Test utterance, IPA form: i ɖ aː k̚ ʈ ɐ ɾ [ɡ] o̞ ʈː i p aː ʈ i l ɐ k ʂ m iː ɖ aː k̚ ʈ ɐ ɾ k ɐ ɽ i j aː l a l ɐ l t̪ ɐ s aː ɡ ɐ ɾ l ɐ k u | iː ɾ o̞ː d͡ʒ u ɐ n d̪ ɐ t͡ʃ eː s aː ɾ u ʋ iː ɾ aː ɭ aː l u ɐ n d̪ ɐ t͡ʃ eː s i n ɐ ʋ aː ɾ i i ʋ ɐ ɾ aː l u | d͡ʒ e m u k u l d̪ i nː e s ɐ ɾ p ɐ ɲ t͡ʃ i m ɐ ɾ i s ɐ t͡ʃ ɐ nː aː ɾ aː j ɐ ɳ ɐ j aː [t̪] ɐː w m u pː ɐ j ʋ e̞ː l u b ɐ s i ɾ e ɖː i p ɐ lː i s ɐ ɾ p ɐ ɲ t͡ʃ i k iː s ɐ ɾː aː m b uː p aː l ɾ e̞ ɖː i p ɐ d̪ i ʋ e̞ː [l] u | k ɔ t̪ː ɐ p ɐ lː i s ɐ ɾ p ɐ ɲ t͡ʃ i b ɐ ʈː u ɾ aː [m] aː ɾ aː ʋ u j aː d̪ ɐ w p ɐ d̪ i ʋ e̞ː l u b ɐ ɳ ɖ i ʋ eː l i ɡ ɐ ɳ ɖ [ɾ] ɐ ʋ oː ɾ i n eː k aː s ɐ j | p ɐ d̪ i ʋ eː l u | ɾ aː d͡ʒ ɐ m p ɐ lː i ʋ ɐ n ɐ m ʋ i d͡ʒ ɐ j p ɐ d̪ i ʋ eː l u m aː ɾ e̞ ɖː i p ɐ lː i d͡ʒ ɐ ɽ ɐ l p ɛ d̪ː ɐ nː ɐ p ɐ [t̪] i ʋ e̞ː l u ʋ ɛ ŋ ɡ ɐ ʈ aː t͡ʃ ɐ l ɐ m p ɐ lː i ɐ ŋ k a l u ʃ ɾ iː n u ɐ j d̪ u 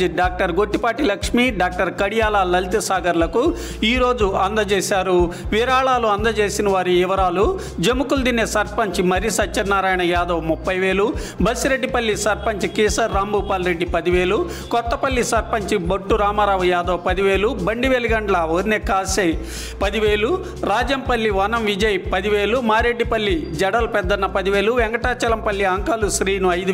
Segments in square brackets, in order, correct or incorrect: correct, incorrect, correct, correct, incorrect, incorrect

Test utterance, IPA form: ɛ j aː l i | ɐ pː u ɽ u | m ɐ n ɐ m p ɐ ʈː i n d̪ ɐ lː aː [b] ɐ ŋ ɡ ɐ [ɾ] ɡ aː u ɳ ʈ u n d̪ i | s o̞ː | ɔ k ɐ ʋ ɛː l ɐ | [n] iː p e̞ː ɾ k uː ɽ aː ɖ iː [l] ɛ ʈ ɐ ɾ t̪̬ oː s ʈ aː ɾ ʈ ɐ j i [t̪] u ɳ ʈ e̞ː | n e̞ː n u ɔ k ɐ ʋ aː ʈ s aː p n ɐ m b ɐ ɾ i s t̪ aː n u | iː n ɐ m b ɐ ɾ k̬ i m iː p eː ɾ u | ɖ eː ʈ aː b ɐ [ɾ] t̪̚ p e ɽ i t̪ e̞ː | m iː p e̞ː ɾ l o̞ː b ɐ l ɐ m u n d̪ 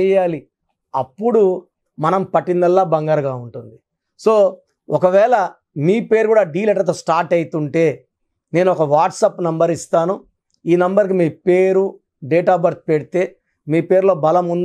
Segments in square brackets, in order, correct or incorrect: correct, correct, incorrect, correct, correct, correct

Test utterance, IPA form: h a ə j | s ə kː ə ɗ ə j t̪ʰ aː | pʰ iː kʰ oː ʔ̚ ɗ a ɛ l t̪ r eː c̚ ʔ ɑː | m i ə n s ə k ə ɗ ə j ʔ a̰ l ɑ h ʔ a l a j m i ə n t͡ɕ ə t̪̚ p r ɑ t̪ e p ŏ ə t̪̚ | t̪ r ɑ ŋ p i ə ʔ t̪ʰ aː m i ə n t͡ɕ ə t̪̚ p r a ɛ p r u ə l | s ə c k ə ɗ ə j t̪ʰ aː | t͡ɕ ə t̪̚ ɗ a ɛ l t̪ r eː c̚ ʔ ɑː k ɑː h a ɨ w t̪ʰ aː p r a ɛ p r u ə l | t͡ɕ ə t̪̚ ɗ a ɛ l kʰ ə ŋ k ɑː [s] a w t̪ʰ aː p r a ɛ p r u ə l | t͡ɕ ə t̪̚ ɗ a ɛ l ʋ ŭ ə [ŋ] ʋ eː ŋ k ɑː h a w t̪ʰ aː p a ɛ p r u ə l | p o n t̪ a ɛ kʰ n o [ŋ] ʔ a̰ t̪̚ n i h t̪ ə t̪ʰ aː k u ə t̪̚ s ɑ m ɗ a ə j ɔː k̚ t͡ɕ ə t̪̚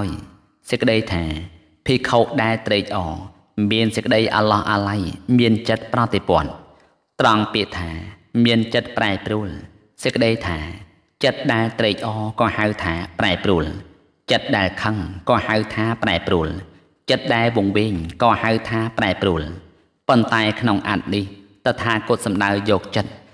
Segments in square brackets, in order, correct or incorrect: incorrect, correct, correct

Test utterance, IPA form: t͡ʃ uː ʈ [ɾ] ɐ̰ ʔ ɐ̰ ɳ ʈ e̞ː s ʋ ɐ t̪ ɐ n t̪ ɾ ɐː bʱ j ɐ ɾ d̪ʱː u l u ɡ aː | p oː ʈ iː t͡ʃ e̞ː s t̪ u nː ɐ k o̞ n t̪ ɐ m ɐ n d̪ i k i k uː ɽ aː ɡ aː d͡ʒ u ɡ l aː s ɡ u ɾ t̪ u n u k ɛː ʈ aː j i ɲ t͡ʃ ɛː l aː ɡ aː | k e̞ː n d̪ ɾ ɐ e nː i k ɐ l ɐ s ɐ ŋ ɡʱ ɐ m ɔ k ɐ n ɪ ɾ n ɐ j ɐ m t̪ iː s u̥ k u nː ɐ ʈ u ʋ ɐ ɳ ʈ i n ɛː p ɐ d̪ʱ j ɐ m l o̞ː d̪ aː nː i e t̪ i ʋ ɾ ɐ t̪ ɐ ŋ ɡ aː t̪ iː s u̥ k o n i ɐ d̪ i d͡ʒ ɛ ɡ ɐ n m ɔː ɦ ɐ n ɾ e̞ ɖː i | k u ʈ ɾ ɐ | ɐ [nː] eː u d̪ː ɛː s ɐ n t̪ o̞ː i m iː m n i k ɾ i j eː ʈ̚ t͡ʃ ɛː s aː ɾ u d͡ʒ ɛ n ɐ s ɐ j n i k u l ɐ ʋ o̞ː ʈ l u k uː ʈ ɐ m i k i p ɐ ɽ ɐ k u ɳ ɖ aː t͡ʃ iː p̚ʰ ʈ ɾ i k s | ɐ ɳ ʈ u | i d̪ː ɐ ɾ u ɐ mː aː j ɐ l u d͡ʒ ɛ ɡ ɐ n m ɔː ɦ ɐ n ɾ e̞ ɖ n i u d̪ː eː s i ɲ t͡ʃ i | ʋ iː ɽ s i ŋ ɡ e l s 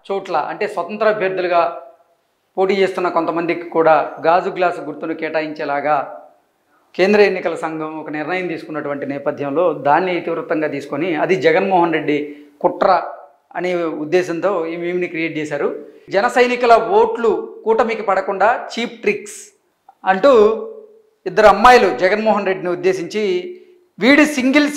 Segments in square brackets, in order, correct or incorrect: incorrect, incorrect

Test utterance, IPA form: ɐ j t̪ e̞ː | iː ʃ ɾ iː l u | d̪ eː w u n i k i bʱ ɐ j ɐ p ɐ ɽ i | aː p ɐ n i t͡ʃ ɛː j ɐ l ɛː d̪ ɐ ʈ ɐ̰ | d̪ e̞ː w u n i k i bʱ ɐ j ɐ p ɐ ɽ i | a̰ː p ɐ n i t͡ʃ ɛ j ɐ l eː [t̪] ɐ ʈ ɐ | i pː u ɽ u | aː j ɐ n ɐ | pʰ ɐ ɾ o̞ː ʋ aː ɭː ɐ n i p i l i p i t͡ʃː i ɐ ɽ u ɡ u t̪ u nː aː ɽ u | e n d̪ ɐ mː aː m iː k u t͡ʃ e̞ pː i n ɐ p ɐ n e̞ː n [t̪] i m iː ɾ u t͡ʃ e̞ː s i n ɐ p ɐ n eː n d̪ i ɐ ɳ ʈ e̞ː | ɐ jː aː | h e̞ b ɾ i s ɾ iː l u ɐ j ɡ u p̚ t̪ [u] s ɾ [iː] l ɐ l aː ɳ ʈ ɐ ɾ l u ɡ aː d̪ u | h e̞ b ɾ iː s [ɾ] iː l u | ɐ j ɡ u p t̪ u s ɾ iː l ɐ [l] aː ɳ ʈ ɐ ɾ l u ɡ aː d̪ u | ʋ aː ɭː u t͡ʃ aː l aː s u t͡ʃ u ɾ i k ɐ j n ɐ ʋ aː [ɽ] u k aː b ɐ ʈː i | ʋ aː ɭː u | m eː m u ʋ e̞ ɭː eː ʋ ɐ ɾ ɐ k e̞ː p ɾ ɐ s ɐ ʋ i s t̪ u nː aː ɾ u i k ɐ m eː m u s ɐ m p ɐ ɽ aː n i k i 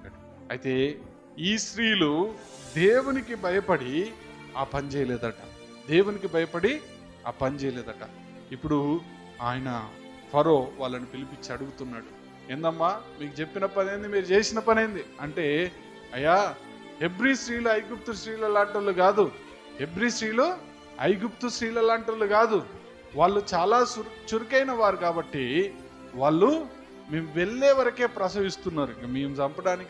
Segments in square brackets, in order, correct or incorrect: incorrect, incorrect, correct, correct, correct, correct, incorrect

